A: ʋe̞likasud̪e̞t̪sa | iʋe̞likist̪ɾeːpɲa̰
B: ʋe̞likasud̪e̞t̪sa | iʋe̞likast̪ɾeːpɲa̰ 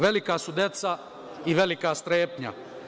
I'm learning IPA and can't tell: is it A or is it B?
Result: B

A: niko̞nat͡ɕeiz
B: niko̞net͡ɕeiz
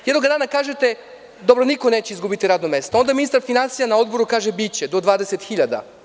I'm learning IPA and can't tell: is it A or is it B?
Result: B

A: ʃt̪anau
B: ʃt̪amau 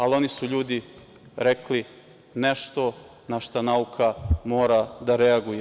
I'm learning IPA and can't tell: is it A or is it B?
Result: A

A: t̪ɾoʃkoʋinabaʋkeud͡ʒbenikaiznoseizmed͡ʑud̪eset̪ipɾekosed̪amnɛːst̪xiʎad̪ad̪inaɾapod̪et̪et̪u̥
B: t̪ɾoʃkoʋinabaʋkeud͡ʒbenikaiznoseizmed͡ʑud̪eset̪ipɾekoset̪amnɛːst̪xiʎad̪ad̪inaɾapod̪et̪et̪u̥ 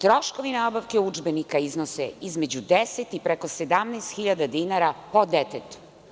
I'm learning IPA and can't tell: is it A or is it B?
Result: A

